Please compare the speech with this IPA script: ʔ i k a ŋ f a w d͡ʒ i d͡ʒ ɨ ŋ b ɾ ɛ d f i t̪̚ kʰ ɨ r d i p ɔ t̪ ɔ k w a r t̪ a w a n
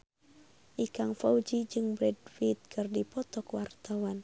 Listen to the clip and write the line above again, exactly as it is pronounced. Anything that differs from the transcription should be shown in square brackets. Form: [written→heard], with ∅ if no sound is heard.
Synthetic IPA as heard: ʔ i k a ŋ f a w d͡ʒ i d͡ʒ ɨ ŋ b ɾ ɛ d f i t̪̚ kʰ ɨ r d i p ɔ t̪ ɔ k w a r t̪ a w a n